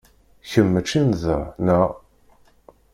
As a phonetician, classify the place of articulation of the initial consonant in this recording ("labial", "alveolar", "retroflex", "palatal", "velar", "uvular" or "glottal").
palatal